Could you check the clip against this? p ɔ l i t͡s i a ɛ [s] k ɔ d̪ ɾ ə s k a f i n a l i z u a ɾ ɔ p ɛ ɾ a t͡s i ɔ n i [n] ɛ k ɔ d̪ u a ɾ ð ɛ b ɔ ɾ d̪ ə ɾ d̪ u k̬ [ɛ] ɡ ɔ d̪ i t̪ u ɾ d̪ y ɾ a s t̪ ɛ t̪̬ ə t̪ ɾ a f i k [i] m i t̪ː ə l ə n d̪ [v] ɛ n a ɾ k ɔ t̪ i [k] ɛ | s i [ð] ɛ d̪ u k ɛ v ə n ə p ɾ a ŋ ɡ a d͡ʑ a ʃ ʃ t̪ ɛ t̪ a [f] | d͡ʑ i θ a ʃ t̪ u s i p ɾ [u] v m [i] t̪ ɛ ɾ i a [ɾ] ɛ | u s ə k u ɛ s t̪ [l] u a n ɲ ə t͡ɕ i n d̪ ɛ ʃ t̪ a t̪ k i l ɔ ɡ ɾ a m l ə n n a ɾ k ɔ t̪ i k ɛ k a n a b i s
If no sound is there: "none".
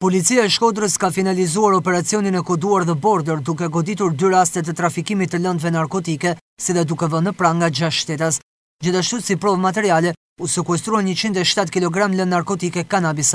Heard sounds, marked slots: ʃ, n, ɛ, i, v, k, ð, s, ɔ, a, l, ɾ

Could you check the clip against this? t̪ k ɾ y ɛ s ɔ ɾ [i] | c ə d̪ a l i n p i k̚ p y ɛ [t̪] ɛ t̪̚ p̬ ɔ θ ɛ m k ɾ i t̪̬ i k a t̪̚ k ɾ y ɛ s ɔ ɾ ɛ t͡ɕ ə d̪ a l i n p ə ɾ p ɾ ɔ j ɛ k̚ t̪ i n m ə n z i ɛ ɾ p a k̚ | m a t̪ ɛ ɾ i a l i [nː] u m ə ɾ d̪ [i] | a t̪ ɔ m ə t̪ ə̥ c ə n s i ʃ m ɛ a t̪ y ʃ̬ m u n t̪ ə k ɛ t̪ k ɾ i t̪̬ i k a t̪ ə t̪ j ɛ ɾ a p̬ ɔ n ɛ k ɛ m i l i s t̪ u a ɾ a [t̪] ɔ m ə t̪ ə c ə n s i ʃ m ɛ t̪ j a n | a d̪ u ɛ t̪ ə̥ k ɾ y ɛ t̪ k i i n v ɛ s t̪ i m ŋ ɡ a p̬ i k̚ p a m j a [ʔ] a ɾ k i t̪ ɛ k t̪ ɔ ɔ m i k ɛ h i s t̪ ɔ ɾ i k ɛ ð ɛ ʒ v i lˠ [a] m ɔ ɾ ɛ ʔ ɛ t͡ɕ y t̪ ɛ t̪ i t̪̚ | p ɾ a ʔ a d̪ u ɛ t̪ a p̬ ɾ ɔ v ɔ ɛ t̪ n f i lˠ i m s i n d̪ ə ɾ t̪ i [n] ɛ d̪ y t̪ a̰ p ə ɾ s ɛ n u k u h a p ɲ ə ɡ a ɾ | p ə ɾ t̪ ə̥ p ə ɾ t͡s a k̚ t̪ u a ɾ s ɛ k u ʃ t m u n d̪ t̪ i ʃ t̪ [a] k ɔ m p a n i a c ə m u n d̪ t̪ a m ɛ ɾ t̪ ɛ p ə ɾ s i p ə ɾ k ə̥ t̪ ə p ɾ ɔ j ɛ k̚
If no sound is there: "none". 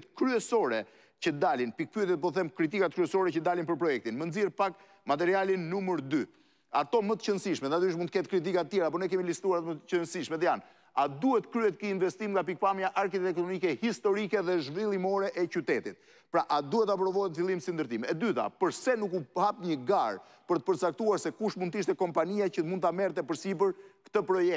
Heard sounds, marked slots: ɛ, t̪, nː, y, t̪, ʔ, i, m, ɛ

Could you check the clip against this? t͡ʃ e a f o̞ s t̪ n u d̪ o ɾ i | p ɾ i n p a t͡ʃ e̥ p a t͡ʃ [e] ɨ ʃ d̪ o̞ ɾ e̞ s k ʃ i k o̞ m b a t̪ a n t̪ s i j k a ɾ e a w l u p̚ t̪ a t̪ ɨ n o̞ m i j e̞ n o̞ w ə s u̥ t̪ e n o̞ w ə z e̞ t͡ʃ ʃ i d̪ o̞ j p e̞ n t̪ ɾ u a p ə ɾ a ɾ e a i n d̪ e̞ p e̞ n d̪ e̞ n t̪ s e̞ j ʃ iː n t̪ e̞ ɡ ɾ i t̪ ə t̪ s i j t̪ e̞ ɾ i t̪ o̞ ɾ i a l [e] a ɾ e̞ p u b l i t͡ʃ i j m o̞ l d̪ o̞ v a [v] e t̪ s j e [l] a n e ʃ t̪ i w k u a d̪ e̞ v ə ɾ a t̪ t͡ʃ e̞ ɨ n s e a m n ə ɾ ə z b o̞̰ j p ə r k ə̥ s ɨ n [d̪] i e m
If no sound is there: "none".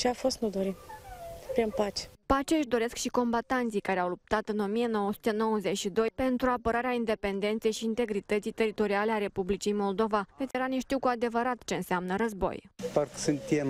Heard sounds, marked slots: e, e, v, ɾ, t̪

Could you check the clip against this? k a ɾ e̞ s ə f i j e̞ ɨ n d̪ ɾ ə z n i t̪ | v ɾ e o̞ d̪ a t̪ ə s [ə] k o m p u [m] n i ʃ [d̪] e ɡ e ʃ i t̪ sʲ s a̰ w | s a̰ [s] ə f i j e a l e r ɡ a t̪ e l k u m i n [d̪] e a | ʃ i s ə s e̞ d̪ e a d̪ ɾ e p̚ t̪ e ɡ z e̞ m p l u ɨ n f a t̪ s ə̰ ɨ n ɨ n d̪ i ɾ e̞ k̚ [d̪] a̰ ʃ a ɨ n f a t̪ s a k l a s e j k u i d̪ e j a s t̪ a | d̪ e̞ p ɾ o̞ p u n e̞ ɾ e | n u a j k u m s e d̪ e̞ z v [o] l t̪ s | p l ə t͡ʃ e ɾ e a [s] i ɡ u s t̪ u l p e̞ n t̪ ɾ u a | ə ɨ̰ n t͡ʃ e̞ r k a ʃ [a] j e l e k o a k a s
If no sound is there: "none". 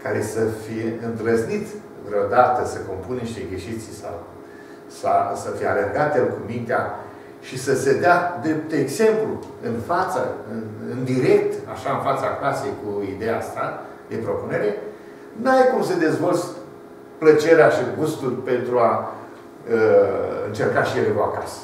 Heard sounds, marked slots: ə, n, t̪, s, t̪, t̪, o, ʃ, i

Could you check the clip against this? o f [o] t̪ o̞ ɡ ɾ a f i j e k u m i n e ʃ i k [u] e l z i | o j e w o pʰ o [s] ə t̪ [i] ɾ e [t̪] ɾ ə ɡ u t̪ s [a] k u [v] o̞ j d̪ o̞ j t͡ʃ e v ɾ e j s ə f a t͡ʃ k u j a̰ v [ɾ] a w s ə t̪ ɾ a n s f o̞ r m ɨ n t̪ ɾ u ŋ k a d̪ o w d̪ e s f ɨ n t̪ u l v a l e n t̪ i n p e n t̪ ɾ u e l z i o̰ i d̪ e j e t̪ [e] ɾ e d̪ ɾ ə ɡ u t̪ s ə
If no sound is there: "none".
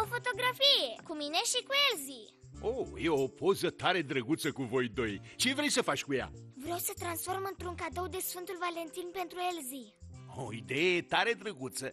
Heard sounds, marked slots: o, u, z, a, d̪, ə, v, ɾ, a

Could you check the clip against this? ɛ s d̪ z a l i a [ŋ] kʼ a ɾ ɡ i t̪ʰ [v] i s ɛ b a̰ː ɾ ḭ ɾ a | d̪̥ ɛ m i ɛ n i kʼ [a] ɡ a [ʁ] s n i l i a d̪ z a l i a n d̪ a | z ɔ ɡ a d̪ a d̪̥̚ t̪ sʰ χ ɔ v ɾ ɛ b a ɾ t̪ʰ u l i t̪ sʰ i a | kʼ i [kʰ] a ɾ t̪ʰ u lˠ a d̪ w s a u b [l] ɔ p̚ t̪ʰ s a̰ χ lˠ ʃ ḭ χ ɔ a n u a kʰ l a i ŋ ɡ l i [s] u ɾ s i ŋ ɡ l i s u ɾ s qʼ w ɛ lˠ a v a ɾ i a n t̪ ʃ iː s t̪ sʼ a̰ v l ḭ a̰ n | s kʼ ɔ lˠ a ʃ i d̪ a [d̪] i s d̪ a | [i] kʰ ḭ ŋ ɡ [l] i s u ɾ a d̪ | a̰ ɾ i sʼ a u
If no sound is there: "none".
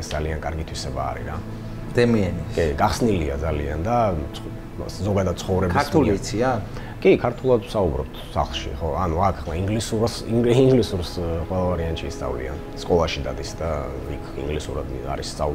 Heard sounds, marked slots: n, w, i, χ, kʰ, ɾ, s, d̪, i, l

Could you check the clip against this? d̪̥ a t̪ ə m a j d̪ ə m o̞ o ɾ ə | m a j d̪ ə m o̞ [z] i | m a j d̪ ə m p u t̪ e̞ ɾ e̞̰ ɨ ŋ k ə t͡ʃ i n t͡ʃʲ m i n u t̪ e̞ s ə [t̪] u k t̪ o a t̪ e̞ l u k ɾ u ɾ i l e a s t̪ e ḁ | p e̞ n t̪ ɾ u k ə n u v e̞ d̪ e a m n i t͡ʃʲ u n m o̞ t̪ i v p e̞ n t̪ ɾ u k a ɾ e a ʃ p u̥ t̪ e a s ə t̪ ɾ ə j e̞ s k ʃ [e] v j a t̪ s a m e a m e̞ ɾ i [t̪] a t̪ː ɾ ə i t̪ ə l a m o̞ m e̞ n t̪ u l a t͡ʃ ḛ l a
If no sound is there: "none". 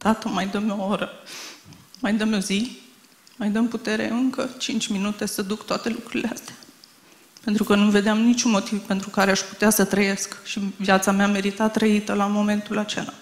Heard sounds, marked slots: z, d̪, i, t̪

